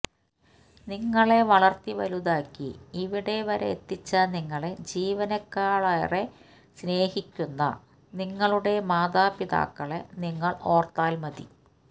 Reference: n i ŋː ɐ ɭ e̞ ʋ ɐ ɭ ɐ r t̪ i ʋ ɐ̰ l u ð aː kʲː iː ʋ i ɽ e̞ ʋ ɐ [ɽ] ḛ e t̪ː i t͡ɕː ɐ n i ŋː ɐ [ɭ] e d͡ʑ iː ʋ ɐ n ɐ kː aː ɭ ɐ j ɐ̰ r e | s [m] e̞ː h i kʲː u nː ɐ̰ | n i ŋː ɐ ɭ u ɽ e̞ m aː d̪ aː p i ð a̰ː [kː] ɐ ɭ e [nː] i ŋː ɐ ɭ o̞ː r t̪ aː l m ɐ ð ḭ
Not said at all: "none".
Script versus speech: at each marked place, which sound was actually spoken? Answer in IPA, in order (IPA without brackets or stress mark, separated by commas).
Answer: ɾ, ɭ, n, kː, n